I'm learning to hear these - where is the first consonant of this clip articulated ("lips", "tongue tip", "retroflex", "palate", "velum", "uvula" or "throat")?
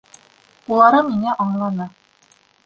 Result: tongue tip